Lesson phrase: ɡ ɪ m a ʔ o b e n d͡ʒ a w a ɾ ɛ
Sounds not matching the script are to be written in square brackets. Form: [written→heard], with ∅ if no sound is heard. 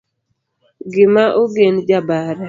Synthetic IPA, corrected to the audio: ɡ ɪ m a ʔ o [b→ɡ] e n d͡ʒ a [w→b] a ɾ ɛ